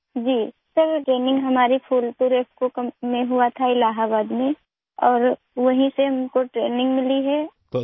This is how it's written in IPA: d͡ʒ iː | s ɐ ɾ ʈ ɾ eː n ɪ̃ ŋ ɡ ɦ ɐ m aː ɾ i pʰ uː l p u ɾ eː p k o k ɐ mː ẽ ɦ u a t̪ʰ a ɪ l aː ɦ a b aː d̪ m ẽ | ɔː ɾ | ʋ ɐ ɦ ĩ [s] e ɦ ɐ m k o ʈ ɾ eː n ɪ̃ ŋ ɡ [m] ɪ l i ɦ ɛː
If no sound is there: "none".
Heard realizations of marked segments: s, m

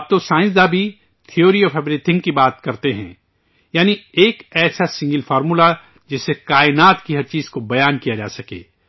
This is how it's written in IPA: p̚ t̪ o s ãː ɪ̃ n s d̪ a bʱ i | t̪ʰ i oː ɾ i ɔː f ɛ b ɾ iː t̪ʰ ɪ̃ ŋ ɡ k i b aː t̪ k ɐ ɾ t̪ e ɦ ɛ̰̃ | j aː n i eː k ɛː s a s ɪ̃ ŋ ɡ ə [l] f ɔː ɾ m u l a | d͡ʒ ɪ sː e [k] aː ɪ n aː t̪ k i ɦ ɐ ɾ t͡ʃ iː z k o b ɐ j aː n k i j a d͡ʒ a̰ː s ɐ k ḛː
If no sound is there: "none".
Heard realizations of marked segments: l, k

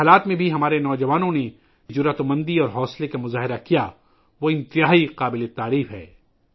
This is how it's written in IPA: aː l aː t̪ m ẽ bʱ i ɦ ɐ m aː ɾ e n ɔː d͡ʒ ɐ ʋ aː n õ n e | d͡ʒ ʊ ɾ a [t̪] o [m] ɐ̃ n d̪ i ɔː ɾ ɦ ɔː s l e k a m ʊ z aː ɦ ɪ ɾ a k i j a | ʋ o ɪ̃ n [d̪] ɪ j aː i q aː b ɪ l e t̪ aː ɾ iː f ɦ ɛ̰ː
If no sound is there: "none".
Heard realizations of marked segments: t̪, m, t̪

